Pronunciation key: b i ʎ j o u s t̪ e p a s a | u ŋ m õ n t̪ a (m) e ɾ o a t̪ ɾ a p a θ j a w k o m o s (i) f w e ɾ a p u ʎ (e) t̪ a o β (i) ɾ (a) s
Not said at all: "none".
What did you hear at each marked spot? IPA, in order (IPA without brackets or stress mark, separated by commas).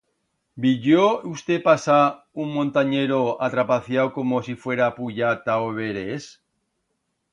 ɲ, i, a, e, e